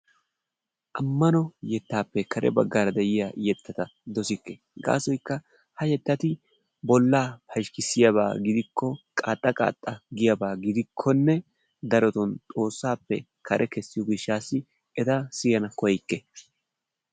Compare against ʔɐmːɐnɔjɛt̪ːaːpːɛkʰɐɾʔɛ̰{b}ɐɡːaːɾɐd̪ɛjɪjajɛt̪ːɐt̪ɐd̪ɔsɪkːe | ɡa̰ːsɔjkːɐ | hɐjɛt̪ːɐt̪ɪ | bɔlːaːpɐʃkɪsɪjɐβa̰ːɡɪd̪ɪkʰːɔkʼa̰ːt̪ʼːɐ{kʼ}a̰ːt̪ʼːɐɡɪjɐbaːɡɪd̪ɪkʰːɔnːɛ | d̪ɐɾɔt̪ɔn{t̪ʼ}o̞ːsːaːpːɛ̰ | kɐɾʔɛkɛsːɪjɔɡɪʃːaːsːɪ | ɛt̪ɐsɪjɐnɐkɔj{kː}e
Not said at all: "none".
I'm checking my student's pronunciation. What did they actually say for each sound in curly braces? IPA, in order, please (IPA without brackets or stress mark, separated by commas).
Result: b, kʼ, t̪ʼ, kː